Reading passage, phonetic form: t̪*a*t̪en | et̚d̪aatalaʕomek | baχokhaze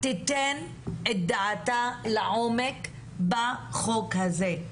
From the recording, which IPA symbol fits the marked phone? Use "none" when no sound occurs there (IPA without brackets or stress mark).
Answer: i